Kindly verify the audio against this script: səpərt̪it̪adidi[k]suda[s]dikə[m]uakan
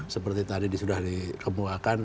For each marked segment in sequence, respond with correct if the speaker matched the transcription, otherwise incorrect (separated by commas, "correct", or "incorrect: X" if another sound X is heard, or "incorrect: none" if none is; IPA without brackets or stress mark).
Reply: incorrect: none, incorrect: h, correct